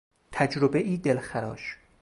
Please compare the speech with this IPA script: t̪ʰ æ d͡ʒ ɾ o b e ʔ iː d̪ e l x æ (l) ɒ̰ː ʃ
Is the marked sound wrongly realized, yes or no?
yes